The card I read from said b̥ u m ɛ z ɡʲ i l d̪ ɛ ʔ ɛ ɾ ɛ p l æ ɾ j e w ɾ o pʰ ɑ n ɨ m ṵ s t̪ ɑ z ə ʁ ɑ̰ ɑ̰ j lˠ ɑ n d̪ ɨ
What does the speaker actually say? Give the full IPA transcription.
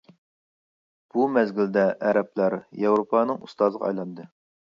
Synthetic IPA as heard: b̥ u m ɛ z ɡʲ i l d̪ ɛ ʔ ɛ ɾ ɛ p l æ ɾ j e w ɾ o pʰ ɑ n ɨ ŋ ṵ s t̪ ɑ z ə ʁ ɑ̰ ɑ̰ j lˠ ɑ n d̪ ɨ